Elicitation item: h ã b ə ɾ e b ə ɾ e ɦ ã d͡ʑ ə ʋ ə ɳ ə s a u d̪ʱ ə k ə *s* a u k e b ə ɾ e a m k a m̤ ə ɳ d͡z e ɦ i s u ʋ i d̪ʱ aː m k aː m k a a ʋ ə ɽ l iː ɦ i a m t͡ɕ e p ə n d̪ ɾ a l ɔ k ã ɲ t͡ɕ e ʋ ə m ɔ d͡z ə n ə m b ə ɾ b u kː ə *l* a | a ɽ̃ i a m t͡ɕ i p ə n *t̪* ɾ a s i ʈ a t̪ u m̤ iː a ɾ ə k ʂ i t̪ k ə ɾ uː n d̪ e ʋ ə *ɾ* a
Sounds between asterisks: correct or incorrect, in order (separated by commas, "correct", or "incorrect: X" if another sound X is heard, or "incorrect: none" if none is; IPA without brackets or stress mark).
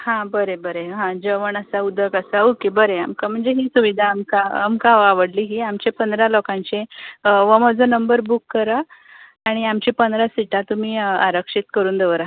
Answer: correct, incorrect: ɾ, incorrect: d̪, correct